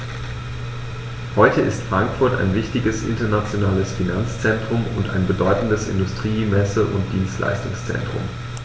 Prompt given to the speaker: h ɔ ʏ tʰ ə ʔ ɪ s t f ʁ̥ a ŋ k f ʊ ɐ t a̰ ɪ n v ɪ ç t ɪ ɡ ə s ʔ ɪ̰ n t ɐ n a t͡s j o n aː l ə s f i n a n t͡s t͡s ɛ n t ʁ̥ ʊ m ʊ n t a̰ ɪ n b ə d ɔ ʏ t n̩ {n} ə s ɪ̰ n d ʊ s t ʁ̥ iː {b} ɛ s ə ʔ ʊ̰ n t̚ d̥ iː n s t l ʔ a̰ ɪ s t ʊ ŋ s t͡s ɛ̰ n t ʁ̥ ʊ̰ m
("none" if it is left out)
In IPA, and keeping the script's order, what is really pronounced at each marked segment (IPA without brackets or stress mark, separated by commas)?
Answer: d, m